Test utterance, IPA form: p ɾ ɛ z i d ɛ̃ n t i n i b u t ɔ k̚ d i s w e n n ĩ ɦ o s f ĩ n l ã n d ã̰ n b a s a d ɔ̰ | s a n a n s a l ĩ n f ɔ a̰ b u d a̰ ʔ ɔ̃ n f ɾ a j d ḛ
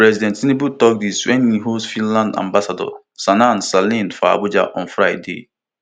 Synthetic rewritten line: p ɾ ɛ z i d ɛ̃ n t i n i b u t ɔ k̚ d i s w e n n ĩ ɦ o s f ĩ n l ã n d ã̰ m b a s a d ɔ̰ | s a n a n s a l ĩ n f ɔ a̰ b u d͡ʒ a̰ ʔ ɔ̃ n f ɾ a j d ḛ